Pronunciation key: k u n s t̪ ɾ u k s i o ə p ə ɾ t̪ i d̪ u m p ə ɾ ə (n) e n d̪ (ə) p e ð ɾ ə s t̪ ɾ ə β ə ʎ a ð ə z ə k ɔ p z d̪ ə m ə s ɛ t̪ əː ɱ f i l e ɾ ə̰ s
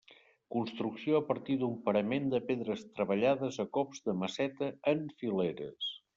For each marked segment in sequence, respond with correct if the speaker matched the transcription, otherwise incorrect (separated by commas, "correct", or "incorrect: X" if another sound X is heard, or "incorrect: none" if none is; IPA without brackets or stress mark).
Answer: incorrect: m, correct